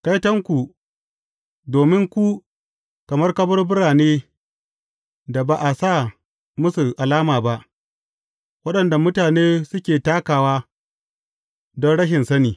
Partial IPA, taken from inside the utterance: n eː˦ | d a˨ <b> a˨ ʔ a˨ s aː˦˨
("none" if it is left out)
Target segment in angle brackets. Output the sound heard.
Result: b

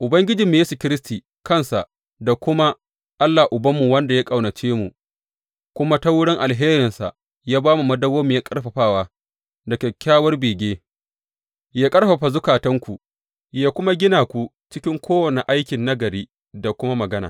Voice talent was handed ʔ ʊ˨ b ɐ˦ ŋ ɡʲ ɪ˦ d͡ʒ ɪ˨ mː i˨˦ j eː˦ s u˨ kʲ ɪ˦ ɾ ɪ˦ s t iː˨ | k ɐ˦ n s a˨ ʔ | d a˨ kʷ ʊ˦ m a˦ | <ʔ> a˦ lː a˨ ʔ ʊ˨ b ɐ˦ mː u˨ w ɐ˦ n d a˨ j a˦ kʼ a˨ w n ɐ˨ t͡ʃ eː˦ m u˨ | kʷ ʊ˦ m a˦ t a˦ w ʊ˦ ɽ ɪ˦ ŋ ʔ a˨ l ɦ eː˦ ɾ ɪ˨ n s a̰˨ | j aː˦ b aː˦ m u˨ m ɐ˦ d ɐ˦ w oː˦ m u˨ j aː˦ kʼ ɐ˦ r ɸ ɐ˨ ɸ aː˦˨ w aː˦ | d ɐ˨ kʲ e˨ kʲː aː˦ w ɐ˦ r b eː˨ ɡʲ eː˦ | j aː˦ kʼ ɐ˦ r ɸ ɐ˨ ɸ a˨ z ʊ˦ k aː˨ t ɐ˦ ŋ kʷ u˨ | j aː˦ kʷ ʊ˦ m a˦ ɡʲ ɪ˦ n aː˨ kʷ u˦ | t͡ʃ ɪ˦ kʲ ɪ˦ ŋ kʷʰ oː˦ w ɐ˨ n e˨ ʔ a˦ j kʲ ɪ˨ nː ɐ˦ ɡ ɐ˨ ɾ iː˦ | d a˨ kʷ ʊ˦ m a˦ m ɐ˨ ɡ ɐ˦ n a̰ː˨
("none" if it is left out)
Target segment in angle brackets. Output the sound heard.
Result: ʔ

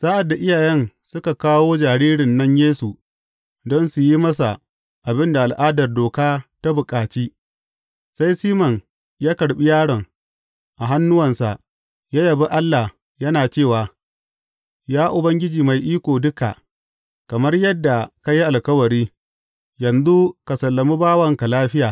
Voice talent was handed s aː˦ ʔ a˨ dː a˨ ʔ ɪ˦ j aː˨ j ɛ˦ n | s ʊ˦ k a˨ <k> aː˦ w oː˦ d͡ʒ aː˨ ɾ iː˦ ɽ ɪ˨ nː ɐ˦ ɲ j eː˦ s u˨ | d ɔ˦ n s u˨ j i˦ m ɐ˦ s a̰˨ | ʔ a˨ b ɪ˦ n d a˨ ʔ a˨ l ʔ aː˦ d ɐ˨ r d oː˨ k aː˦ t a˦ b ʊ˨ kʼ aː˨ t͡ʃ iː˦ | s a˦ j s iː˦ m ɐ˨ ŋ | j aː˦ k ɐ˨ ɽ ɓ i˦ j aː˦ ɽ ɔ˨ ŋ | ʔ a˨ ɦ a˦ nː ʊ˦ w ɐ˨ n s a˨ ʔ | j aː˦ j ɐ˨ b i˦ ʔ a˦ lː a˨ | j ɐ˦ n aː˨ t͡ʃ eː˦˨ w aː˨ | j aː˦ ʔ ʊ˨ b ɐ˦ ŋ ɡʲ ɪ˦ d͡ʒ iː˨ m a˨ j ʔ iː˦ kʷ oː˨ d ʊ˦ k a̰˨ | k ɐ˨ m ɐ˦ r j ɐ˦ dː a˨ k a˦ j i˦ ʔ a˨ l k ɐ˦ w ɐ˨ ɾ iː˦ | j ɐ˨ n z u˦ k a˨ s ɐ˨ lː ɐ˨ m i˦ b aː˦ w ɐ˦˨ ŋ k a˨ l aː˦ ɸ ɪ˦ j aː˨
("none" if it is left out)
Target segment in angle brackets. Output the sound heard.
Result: k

